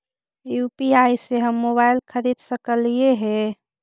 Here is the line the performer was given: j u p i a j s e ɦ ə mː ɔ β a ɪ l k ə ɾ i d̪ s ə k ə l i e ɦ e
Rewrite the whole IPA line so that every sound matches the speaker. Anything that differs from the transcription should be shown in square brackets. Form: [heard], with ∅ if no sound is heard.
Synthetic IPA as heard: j u p i a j s e ɦ ə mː [o] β a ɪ l [kʰ] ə ɾ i d̪ s ə k ə l i e ɦ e